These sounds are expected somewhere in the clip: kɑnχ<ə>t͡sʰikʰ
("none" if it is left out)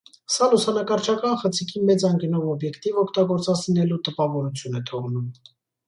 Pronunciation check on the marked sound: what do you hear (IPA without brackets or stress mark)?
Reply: ə